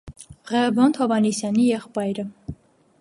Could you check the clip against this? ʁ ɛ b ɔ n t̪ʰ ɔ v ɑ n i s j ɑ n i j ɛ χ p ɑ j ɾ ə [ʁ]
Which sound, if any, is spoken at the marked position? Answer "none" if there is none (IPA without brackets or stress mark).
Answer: none